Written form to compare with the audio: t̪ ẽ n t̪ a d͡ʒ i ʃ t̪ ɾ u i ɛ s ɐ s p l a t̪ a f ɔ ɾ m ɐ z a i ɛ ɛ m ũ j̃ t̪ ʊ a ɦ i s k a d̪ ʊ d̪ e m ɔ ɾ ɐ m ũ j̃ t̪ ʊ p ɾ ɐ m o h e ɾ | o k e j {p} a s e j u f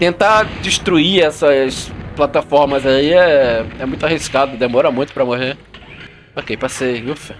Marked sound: correct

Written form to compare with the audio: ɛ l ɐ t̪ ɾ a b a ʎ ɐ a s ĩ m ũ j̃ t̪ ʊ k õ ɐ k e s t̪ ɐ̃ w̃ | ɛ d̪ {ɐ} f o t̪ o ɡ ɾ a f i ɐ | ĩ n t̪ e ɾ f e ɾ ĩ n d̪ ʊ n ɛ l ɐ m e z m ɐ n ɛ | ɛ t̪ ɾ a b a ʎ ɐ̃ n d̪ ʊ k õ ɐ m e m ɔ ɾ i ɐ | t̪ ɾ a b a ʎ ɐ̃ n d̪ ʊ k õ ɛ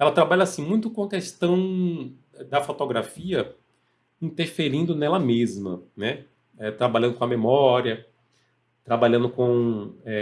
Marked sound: correct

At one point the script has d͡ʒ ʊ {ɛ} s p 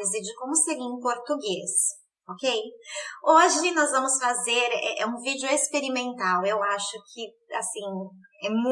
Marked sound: incorrect: e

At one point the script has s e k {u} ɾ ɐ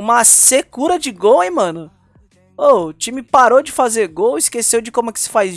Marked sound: correct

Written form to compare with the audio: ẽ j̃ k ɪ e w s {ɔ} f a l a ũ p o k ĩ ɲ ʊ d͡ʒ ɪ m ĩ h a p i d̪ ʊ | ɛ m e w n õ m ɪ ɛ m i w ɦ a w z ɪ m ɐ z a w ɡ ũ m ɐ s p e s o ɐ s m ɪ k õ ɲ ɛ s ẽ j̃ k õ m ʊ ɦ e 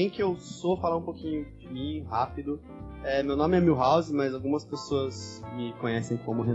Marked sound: incorrect: o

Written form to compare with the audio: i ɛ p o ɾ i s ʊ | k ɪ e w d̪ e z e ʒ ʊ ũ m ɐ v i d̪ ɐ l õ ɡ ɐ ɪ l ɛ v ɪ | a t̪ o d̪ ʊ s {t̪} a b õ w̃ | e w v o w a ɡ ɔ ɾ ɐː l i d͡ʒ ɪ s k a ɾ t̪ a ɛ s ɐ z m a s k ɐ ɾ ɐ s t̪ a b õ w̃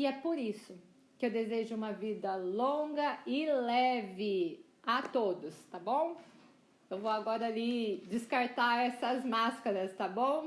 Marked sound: correct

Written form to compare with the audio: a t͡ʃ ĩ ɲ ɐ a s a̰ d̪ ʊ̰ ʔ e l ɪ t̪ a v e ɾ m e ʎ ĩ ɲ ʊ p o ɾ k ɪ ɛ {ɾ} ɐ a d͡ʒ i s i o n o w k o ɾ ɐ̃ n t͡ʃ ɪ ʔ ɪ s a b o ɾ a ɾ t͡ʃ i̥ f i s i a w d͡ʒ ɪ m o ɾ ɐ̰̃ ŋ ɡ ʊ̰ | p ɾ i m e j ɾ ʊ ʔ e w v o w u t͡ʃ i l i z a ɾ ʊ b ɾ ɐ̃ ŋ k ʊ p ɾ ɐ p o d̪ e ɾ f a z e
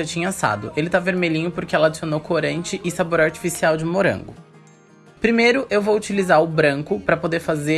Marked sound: incorrect: l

